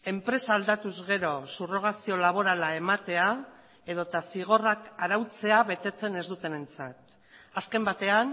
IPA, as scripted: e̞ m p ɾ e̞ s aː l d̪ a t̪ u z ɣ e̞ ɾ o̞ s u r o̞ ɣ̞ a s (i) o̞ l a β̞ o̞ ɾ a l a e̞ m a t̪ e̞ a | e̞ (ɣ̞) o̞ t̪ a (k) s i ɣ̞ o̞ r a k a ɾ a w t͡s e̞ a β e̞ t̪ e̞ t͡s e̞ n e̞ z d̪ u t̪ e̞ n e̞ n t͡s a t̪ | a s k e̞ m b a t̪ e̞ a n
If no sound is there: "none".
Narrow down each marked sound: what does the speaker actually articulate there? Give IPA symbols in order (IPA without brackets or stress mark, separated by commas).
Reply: i, ð̞, none